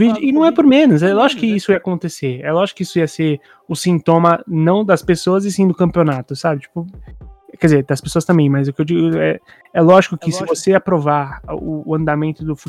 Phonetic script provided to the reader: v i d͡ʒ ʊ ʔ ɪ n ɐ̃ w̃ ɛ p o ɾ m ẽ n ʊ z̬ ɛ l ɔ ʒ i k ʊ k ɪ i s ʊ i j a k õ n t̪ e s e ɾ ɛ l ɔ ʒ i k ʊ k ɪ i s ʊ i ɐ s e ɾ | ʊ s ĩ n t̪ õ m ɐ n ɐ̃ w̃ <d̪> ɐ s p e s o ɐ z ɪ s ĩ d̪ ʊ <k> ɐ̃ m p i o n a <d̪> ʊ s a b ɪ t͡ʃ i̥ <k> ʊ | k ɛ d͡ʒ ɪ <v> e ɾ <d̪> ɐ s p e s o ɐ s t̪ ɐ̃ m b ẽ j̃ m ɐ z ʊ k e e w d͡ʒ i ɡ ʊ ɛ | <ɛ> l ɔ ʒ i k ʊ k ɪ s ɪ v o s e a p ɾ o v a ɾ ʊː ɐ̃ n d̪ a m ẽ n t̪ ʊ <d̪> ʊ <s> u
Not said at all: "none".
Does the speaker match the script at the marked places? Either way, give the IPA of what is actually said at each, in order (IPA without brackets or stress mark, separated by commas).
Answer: d̪, k, t̪, p, z, d̪, ɛ, d̪, f